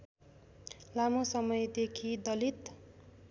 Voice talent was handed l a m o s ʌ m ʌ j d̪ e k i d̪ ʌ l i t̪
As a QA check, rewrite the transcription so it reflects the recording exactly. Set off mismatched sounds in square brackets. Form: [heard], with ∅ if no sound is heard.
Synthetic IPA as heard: l a m o s ʌ m ʌ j d̪ e [kʰ] i d̪ ʌ l i t̪